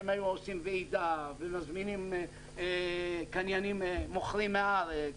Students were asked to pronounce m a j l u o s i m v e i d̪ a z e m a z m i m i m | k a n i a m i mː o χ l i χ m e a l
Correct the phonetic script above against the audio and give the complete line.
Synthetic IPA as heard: m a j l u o s i m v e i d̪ a v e m a z m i n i m | k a n j a n i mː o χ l i m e a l